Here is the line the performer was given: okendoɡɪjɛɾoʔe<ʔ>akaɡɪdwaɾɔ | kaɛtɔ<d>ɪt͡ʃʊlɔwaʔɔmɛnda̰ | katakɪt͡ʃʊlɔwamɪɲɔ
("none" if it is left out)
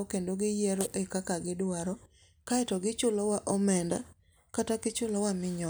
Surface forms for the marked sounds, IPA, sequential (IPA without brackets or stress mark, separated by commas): k, ɡ